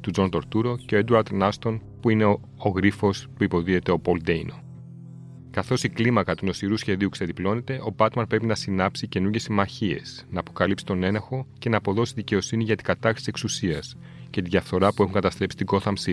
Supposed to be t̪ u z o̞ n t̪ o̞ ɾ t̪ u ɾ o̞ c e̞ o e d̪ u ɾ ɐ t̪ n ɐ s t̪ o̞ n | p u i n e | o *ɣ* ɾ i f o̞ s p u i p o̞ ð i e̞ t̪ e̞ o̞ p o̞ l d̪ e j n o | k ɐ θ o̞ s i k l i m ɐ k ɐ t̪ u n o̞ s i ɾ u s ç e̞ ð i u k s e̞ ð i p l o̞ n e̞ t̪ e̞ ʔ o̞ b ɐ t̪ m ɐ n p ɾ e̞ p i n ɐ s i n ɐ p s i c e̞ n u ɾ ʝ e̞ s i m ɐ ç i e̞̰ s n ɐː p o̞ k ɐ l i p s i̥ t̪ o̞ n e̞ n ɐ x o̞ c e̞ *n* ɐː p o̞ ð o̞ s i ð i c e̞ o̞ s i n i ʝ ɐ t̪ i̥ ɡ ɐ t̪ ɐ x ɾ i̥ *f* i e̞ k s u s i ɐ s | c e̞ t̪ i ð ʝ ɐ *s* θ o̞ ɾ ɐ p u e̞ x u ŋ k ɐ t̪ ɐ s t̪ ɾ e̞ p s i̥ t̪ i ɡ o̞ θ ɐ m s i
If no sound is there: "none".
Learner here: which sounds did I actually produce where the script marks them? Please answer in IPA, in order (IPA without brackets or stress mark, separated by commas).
ɣ, n, s, f